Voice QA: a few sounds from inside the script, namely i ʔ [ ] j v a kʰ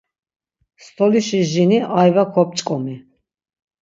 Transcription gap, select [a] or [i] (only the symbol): a